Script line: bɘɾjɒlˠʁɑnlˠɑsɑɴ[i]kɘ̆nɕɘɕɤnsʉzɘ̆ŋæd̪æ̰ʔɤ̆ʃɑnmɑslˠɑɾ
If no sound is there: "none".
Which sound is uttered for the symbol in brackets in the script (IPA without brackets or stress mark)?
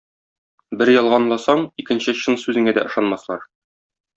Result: i